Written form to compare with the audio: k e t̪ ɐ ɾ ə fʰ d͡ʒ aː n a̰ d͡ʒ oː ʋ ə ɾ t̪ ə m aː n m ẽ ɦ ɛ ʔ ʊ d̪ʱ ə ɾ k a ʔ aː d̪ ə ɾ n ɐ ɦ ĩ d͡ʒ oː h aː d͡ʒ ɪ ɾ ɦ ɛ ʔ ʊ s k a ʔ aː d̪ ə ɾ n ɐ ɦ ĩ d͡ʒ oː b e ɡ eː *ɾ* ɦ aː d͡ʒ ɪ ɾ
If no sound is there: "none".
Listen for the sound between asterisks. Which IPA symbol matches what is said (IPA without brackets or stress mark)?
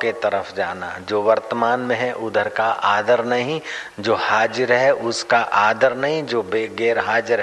ɾ